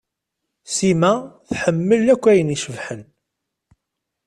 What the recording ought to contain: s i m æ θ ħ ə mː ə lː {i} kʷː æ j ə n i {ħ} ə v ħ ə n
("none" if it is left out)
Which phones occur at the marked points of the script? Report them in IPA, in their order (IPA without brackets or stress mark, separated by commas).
æ, ʃ